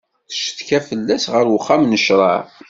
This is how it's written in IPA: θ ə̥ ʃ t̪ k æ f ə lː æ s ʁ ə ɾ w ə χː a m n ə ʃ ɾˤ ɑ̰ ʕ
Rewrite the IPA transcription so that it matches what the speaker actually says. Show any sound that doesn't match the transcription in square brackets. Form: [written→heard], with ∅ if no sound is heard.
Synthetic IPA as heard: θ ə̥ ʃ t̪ k æ f ə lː æ s ʁ ə ɾ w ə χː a m n ə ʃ ɾˤ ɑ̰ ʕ